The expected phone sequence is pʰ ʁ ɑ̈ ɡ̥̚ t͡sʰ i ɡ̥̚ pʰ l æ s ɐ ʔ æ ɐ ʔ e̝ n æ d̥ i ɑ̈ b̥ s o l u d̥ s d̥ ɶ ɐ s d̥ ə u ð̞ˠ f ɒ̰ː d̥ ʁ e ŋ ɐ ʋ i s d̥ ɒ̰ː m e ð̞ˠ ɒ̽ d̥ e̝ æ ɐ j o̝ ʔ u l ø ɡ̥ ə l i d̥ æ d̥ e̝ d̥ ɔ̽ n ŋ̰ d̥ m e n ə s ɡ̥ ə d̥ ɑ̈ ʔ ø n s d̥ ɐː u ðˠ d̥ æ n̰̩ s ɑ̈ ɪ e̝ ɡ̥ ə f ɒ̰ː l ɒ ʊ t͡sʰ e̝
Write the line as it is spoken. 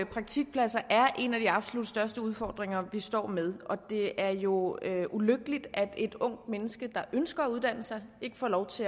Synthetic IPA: pʰ ʁ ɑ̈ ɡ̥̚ t͡sʰ i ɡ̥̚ pʰ l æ s ɐ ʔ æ ɐ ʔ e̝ n æ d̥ i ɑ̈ b̥ s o l u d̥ s d̥ ɶ ɐ s d̥ ə u ð̞ˠ f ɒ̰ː d̥ ʁ e ŋ ɐ ʋ i s d̥ ɒ̰ː m e ð̞ˠ ɒ̽ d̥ e̝ æ ɐ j o̝ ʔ u l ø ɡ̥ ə l i d̥ æ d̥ e̝ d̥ ɔ̽ ŋ̰ d̥ m e n ə s ɡ̥ ə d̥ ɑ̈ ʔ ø n s ɡ̥ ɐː u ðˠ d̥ æ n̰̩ s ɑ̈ ɪ e̝ ɡ̥ ə f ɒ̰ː l ɒ ʊ t͡sʰ e̝